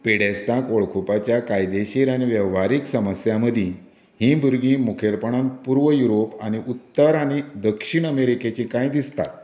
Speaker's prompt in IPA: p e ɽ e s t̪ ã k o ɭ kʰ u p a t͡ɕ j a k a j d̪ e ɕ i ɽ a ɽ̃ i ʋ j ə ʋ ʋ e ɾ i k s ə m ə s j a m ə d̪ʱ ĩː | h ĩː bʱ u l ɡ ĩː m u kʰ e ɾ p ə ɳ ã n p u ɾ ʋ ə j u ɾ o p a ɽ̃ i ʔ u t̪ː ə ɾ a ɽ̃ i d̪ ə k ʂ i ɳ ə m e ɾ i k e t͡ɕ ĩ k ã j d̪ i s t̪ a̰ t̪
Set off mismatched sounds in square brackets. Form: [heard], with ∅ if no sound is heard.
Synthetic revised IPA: p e ɽ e s t̪ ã k o ɭ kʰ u p a t͡ɕ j a k a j d̪ e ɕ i [ɾ] a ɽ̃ i ʋ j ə ʋ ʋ [a] ɾ i k s ə m ə s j a m ə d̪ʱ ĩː | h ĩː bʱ u [ɾ] ɡ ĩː m u kʰ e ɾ p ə ɳ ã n p u ɾ ʋ ə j u ɾ o p a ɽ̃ i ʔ u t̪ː ə ɾ a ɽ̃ i d̪ ə k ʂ i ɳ ə m e ɾ i k e t͡ɕ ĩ k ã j d̪ i s t̪ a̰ t̪